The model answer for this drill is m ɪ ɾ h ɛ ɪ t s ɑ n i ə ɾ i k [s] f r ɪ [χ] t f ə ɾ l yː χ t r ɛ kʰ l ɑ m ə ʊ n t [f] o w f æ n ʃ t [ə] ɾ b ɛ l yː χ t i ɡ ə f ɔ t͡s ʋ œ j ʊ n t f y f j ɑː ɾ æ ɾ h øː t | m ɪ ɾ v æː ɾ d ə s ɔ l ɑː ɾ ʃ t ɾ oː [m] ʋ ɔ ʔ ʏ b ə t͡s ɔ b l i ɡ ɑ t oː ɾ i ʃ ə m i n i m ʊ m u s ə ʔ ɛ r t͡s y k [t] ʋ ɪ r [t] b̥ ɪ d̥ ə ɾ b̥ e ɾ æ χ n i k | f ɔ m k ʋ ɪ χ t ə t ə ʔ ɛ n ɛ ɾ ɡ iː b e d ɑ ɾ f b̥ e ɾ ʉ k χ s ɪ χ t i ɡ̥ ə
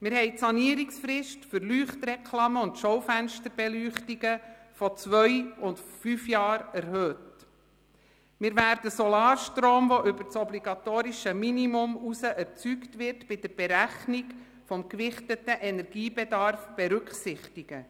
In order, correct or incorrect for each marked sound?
correct, incorrect, incorrect, correct, correct, correct, correct

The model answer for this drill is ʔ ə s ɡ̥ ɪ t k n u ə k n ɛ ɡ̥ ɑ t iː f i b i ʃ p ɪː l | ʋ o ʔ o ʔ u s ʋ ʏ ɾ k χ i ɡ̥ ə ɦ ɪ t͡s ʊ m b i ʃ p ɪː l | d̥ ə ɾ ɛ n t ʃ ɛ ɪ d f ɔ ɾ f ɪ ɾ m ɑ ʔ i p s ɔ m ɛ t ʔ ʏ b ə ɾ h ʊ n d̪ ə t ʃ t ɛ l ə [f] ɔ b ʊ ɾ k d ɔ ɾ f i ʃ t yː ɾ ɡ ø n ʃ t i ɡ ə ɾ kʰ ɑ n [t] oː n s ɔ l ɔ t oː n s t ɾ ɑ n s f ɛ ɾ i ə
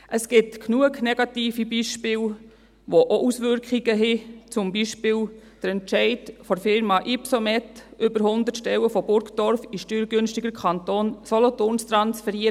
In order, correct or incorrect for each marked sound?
correct, correct

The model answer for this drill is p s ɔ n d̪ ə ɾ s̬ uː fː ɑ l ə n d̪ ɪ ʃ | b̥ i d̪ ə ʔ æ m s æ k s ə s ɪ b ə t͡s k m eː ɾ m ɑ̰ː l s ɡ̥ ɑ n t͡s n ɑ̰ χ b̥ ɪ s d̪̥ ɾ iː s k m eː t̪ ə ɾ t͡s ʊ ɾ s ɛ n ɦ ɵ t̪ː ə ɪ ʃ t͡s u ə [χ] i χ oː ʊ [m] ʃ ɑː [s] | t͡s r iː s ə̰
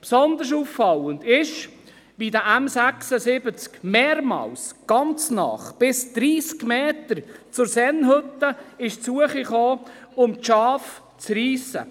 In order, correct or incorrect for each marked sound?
correct, correct, incorrect

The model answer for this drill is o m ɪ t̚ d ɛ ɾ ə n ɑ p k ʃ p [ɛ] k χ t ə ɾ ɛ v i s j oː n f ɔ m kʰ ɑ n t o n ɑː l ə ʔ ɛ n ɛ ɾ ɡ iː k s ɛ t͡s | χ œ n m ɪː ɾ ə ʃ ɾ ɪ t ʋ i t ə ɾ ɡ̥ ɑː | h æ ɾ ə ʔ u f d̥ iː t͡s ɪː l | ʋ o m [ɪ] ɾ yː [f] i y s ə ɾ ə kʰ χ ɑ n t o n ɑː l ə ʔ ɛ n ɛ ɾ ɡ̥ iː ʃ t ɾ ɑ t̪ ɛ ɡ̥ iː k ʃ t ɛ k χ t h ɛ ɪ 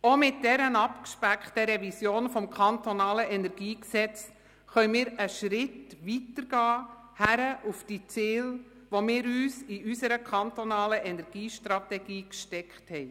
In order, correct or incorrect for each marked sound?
incorrect, incorrect, incorrect

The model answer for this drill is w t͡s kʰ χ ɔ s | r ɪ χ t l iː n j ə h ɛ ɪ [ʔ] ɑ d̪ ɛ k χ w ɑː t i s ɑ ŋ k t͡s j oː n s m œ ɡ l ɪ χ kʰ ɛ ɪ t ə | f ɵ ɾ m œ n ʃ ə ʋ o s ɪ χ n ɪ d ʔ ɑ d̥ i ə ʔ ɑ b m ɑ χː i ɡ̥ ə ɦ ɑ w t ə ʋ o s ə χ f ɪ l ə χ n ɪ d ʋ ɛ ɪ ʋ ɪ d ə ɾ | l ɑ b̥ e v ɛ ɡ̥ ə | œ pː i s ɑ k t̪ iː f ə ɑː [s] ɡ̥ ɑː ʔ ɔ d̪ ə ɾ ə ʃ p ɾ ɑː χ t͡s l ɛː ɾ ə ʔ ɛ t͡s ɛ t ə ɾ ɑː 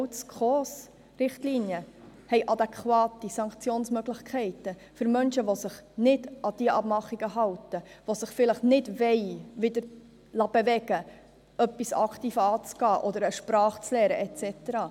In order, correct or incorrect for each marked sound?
correct, incorrect

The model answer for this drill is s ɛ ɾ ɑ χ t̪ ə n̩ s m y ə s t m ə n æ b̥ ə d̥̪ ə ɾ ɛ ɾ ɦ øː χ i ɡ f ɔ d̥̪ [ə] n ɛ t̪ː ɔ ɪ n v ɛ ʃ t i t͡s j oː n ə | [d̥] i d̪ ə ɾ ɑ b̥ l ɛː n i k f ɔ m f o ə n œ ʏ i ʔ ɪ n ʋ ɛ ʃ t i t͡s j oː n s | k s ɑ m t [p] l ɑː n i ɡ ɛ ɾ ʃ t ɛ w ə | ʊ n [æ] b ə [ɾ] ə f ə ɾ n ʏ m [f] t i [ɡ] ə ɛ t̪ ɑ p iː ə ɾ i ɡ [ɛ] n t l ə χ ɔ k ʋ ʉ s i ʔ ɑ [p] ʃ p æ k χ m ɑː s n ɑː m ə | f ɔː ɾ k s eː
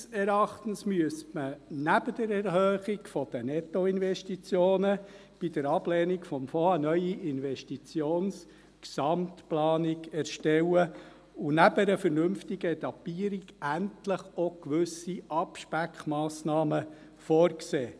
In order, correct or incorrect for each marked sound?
correct, incorrect, correct, correct, correct, correct, correct, incorrect, correct

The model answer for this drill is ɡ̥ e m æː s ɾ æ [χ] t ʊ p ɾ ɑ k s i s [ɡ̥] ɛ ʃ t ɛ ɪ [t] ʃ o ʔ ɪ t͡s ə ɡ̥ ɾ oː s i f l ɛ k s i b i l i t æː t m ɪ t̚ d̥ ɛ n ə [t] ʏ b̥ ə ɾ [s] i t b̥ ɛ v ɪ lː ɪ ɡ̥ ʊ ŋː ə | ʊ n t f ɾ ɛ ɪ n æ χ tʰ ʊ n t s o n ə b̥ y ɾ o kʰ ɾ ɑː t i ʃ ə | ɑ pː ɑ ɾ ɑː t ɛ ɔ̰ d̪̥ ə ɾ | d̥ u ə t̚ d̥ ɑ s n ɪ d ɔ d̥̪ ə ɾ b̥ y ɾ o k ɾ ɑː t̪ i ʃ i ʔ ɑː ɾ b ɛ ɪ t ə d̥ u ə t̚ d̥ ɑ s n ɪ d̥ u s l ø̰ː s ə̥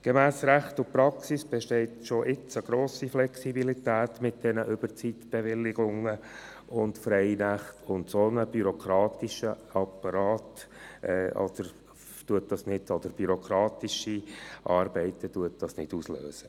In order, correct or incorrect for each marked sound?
correct, incorrect, correct, incorrect, incorrect

